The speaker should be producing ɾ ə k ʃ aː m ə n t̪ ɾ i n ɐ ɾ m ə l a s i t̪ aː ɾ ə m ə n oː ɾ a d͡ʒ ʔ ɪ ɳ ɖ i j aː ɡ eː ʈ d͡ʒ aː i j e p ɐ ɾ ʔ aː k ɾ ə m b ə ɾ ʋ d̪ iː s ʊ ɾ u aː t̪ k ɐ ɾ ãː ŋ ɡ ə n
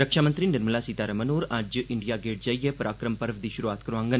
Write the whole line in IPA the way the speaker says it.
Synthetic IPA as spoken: ɾ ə k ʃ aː m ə n t̪ ɾ i n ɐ ɾ m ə l a s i t̪ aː ɾ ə m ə n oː ɾ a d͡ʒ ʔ ɪ ɳ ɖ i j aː ɡ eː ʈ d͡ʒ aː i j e p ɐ ɾ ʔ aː k ɾ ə m p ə ɾ ʋ d̪ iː ʃ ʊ ɾ u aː t̪ k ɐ ɾ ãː ŋ ɡ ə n

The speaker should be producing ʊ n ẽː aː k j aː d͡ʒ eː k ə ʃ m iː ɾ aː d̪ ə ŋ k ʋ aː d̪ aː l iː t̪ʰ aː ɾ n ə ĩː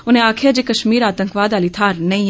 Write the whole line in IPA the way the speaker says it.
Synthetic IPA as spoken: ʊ n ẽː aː kʰ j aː d͡ʒ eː k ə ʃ m iː ɾ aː t̪ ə ŋ k ʋ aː d̪ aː l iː t̪ʰ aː ɾ n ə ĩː

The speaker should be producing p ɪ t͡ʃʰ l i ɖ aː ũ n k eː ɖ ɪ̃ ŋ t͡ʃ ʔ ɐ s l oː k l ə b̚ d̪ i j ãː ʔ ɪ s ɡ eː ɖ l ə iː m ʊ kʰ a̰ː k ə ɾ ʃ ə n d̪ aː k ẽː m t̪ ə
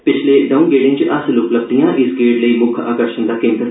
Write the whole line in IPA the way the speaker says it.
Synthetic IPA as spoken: p ɪ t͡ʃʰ l e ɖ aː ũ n ɡ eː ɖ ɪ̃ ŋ t͡ʃ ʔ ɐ s l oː k l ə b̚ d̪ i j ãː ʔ ɪ s ɡ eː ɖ l ə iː m ʊ kʰ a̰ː k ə ɾ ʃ ə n d̪ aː k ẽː m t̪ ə

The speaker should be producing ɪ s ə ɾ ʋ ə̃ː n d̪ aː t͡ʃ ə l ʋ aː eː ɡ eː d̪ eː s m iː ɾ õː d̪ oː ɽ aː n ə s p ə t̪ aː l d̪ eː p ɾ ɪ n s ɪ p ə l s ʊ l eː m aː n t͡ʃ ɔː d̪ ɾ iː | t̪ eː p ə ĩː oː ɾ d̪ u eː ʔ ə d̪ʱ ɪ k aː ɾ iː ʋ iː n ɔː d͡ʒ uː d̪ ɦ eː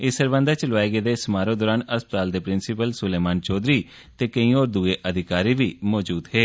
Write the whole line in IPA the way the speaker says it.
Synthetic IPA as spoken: ɪ s ə ɾ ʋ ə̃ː n d̪ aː t͡ʃ ə l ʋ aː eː ɡ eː d̪ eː s m aː ɾ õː d̪ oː ɾ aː n ə s p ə t̪ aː l d̪ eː p ɾ ɪ n s ɪ p ə l s ʊ l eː m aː n t͡ʃ ɔː d̪ ɾ iː | t̪ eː k ə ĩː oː ɾ d̪ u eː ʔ ə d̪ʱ ɪ k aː ɾ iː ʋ iː m ɔː d͡ʒ uː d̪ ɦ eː

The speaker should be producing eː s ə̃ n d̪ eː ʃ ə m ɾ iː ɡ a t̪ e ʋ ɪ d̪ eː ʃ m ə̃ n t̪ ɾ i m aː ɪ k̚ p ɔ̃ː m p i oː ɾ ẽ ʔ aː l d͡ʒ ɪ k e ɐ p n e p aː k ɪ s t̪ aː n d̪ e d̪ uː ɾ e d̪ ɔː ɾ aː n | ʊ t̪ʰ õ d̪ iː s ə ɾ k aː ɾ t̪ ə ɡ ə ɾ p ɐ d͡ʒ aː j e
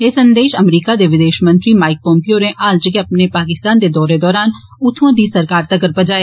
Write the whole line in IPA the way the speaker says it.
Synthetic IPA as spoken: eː s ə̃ n d̪ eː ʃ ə m ɾ iː k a d̪ e ʋ ɪ d̪ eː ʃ m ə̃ n t̪ ɾ i m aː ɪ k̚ p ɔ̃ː m p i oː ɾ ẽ ʔ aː l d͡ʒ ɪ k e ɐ p n e p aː k ɪ s t̪ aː n d̪ e d̪ ɔː ɾ e d̪ ɔː ɾ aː n | ʊ t̪ʰ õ d̪ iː s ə ɾ k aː ɾ t̪ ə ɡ ə ɾ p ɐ d͡ʒ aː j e

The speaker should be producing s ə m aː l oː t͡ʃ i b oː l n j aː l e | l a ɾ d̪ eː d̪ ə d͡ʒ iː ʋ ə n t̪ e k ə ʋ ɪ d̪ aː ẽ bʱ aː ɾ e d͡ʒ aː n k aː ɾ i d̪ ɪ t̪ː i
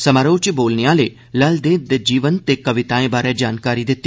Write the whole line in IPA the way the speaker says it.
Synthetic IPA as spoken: s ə m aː ɾ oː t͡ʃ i b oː l n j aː l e | l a l d̪ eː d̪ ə d͡ʒ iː ʋ ə n t̪ e k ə ʋ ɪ t̪ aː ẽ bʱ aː ɾ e d͡ʒ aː n k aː ɾ i d̪ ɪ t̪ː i

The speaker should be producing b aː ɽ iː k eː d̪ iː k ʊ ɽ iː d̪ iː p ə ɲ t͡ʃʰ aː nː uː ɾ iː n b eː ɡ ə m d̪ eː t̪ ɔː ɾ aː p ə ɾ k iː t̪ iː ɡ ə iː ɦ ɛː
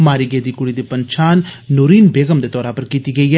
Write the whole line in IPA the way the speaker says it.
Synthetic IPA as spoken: m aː ɾ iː ɡ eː d̪ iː k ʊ ɽ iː d̪ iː p ə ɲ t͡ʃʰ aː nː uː ɾ iː n b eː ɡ ə m d̪ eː t̪ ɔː ɾ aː p ə ɾ k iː t̪ iː ɡ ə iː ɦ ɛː

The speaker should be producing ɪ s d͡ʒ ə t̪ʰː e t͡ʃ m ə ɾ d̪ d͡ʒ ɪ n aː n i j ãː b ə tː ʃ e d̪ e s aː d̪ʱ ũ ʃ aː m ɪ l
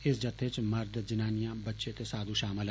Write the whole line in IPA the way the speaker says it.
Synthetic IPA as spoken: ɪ s d͡ʒ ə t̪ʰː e t͡ʃ m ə ɾ d̪ d͡ʒ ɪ n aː n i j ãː b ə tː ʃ e t̪ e s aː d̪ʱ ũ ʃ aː m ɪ l

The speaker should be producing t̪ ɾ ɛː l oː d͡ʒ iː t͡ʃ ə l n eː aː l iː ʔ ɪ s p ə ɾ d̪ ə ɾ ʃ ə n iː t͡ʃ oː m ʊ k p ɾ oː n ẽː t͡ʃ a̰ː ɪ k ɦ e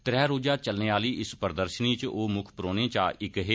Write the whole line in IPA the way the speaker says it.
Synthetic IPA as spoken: t̪ ɾ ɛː ɾ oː d͡ʒ aː t͡ʃ ə l n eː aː l iː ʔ ɪ s p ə ɾ d̪ ə ɾ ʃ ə n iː t͡ʃ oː m ʊ kʰ p ɾ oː n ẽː t͡ʃ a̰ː ɪ k ɦ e

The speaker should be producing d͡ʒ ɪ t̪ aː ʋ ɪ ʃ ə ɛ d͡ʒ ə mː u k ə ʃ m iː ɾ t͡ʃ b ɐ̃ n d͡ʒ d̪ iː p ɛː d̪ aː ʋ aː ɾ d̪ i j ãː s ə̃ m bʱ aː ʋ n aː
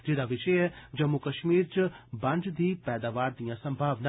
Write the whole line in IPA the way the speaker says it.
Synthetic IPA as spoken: d͡ʒ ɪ d̪ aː ʋ ɪ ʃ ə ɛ d͡ʒ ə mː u k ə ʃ m iː ɾ t͡ʃ b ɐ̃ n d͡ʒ d̪ iː p ɛː d̪ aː ʋ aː ɾ d̪ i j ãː s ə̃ m bʱ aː ʋ n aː

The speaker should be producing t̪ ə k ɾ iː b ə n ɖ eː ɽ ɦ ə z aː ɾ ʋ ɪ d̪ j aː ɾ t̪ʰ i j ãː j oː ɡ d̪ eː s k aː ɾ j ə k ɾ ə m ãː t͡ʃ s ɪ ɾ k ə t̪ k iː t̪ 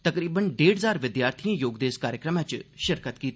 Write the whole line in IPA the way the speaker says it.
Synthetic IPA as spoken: t̪ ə k ɾ iː b ə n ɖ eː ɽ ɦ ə z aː ɾ ʋ ɪ d̪ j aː ɾ t̪ʰ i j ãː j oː ɡ d̪ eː s k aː ɾ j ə k ɾ ə m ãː t͡ʃ ʃ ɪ ɾ k ə t̪ k iː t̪

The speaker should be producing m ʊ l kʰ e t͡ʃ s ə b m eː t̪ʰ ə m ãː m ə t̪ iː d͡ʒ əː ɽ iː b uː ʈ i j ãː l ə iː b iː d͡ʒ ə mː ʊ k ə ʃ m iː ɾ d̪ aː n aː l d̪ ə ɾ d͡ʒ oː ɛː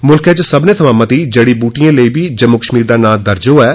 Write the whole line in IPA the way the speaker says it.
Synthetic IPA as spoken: m ʊ l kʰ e t͡ʃ s ə b n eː t̪ʰ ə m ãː m ə t̪ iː d͡ʒ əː ɽ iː b uː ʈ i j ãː l ə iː b iː d͡ʒ ə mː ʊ k ə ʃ m iː ɾ d̪ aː n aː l d̪ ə ɾ d͡ʒ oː ɛː

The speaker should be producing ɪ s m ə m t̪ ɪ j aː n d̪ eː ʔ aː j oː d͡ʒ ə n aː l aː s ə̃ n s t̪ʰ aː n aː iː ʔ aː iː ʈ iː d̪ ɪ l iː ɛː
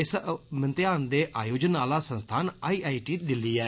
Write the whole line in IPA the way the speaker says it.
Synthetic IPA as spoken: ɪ s m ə n t̪ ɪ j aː n d̪ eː ʔ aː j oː d͡ʒ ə n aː l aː s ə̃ n s t̪ʰ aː n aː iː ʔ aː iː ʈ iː d̪ ɪ l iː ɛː

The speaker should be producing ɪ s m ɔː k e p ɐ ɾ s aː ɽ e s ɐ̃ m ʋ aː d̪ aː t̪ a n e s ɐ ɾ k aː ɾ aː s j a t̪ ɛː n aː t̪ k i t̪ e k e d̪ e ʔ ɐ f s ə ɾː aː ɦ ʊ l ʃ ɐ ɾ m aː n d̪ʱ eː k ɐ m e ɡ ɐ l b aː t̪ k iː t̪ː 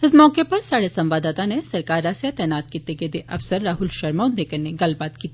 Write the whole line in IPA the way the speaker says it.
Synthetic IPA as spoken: ɪ s m ɔː k e p ɐ ɾ s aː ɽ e s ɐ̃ m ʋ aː d̪ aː t̪ a n e s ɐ ɾ k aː ɾ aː s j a t̪ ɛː n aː t̪ k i t̪ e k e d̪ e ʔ ɐ f s ə ɾː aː ɦ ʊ l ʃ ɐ ɾ m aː n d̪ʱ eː k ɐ n e ɡ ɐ l b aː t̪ k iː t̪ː

